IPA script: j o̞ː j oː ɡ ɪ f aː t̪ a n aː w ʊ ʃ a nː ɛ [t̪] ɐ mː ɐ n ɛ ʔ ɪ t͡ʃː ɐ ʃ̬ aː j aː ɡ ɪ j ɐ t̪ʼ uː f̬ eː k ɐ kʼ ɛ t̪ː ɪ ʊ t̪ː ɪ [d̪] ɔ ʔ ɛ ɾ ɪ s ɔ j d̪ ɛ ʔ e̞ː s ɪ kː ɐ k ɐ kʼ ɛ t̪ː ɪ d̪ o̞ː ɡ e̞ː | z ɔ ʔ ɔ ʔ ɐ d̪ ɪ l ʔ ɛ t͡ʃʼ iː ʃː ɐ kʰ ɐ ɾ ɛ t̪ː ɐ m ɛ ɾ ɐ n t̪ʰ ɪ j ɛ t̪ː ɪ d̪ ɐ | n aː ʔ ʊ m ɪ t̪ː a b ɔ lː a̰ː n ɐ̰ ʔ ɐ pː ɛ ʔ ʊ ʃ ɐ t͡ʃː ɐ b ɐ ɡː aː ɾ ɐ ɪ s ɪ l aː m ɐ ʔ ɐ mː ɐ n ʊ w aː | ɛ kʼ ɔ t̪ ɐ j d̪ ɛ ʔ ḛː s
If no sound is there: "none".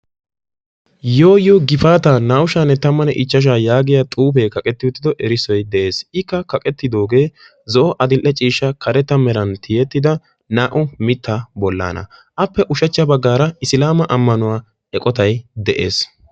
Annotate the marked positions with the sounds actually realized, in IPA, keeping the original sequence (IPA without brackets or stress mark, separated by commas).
t̪, d̪